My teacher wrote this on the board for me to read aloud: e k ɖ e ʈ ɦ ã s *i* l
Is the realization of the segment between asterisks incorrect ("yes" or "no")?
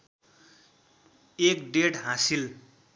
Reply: no